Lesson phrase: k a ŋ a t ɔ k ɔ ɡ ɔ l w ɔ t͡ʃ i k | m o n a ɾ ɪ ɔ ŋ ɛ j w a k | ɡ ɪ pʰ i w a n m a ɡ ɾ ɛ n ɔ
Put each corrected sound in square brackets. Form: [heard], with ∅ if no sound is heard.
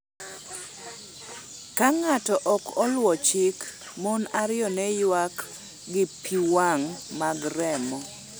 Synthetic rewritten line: k a ŋ a t ɔ [ʔ] ɔ [k] ɔ l w ɔ t͡ʃ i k | m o n a ɾ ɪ ɔ [n] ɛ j w a k | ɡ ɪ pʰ i w a [ŋ] m a ɡ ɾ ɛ [m] ɔ